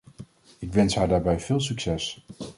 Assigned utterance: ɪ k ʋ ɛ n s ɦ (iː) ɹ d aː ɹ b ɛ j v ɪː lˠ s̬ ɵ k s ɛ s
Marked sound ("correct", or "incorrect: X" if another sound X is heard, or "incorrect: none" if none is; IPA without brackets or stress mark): incorrect: aː